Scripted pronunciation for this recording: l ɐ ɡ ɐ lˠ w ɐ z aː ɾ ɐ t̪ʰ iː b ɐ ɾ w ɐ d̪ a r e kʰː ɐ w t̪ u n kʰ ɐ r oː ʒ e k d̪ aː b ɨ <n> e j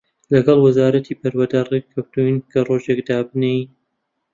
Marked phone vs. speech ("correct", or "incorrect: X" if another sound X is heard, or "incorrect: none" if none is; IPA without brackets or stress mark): correct